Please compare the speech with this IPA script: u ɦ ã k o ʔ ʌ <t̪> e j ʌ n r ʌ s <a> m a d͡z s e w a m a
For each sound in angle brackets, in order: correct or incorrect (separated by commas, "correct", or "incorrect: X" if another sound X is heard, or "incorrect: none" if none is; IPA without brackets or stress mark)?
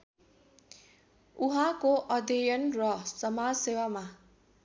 incorrect: d̪, incorrect: ʌ